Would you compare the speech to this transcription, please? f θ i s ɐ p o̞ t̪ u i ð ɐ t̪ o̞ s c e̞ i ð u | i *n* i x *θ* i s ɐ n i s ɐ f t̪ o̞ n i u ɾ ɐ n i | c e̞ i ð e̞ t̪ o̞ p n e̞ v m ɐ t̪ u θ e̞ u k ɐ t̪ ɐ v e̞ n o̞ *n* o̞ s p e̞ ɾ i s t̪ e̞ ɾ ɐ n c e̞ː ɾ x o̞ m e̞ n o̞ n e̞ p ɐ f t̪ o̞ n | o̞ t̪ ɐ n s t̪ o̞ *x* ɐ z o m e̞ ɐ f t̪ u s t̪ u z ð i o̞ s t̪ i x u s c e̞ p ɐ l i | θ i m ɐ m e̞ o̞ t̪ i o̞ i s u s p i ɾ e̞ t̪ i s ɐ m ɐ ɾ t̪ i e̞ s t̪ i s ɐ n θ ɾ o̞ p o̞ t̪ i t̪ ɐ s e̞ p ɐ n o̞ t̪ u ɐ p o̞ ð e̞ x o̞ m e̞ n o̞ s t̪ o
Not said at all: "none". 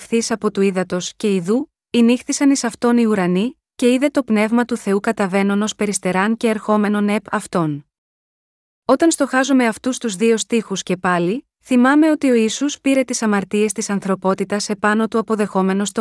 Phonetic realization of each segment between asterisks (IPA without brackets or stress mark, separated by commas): n, θ, n, x